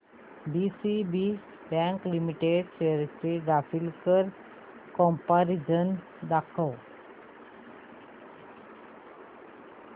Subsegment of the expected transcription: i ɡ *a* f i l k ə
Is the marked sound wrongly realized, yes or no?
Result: no